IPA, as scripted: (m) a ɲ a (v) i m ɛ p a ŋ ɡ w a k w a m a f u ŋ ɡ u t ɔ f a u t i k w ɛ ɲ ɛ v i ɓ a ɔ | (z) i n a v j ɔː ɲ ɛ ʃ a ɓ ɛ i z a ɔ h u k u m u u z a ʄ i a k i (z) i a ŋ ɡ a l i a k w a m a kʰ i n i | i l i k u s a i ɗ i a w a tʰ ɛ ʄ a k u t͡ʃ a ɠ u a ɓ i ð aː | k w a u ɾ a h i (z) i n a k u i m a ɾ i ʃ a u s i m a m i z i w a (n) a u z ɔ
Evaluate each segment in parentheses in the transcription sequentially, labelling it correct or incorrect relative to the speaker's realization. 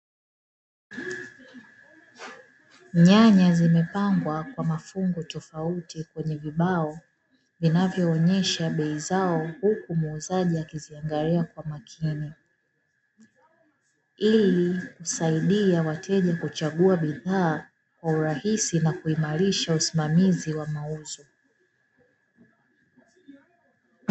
incorrect, incorrect, incorrect, correct, incorrect, incorrect

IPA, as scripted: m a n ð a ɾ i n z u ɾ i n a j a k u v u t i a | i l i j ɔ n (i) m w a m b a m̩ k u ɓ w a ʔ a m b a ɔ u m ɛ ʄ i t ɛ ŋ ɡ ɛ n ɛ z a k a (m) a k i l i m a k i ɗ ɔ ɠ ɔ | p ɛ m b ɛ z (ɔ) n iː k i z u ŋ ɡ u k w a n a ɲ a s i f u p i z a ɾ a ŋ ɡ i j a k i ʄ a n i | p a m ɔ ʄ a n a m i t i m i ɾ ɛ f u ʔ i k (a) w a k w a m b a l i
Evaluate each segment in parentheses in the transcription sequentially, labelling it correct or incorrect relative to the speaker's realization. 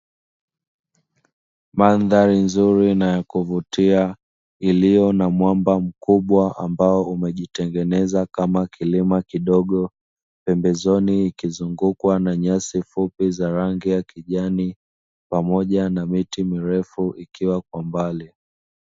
incorrect, correct, correct, incorrect

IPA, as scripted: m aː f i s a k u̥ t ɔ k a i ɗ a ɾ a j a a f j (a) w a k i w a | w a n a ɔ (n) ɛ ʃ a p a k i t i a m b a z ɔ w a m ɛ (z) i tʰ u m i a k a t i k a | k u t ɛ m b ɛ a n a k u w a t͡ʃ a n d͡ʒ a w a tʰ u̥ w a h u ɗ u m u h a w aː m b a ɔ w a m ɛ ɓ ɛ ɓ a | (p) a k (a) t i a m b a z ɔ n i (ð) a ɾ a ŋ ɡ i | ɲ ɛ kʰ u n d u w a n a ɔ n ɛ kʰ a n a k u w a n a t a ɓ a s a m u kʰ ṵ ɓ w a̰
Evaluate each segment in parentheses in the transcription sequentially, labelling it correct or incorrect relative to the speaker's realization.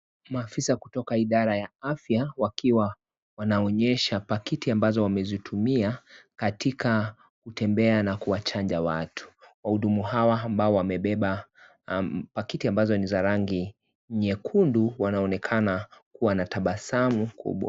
correct, incorrect, correct, correct, incorrect, incorrect

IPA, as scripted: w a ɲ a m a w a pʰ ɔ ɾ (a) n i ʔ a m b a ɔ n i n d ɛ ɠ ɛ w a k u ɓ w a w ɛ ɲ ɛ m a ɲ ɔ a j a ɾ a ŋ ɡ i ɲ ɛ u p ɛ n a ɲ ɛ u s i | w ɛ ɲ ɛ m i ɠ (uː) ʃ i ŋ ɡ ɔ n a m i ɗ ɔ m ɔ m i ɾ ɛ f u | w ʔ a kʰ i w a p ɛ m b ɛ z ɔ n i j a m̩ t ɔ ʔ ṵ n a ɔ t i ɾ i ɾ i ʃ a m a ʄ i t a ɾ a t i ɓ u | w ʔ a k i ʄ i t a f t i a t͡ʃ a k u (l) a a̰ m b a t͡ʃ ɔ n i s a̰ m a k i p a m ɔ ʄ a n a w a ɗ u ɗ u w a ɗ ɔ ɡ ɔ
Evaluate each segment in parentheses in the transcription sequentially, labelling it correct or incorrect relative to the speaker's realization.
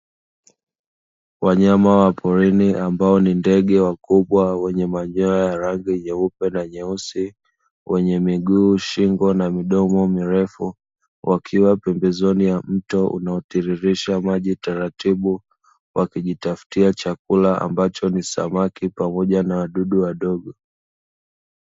incorrect, correct, correct

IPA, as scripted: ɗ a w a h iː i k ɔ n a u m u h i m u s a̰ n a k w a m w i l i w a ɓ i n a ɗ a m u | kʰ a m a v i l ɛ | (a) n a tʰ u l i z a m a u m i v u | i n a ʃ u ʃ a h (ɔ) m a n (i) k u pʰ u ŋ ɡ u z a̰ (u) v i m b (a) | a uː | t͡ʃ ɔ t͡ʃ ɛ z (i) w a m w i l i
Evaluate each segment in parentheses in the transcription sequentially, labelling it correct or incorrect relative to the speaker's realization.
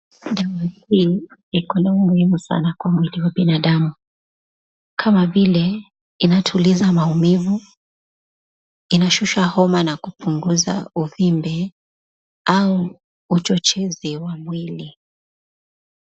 incorrect, correct, incorrect, correct, incorrect, correct

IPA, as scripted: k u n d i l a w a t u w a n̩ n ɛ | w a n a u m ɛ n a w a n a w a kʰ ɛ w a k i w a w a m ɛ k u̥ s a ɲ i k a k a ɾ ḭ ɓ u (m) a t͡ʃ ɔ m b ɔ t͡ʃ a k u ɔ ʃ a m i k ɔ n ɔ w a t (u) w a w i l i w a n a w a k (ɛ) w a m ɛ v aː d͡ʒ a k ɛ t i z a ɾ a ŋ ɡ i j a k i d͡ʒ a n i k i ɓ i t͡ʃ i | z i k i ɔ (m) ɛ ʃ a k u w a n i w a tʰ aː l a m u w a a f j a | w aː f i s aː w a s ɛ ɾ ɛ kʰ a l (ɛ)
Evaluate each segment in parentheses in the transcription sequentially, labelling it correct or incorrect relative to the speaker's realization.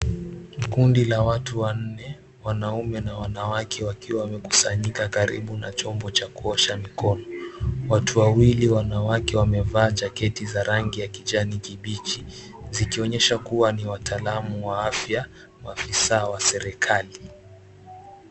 incorrect, correct, correct, incorrect, incorrect

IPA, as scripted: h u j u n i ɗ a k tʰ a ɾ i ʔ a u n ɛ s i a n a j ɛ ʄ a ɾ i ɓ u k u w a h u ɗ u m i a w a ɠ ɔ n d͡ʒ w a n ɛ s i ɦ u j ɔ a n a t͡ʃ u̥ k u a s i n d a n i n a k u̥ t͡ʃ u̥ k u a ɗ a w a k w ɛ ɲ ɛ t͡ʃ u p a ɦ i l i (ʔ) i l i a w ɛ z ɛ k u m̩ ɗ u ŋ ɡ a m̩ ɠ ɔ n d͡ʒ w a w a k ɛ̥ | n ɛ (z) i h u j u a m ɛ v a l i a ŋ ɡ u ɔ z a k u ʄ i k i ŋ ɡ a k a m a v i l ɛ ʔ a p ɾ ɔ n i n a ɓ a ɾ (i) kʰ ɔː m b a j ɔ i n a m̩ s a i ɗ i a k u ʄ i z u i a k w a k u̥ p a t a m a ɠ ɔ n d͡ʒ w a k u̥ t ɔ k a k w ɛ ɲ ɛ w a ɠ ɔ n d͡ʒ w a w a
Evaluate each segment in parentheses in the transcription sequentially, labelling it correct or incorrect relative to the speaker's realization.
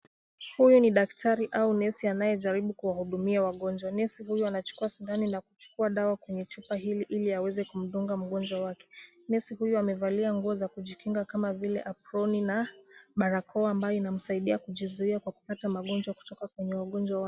correct, incorrect, incorrect

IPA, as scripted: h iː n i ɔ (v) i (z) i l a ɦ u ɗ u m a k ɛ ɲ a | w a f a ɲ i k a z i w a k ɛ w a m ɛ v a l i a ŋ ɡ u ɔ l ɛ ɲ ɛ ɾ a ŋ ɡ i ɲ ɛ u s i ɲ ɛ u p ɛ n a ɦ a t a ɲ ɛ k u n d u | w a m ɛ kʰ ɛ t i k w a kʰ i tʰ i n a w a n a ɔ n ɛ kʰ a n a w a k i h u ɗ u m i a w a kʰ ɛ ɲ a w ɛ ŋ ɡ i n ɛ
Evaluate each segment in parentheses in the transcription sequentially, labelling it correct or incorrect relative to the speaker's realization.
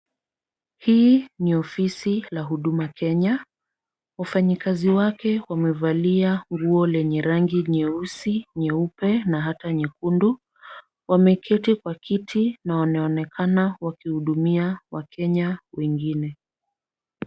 incorrect, incorrect

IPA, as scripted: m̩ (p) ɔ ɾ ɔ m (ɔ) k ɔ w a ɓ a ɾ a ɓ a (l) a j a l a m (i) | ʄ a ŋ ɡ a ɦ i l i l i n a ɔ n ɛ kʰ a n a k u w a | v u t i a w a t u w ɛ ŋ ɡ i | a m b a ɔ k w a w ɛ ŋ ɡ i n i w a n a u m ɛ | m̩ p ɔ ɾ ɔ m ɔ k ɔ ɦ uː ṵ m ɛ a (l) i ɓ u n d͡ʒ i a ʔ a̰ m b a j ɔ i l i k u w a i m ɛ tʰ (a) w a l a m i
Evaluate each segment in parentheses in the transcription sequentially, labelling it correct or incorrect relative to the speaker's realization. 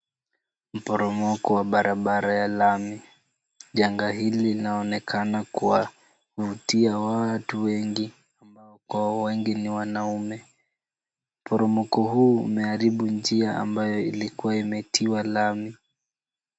correct, correct, incorrect, correct, incorrect, incorrect

